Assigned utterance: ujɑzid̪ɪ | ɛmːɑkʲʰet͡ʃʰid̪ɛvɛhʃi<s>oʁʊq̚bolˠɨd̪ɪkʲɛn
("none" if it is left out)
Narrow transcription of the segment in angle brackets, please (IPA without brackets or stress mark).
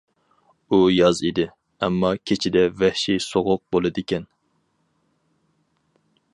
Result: s